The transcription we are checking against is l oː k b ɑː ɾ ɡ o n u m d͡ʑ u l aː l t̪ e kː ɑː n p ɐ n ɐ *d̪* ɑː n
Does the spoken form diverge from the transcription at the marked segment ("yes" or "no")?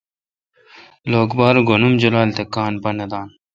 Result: no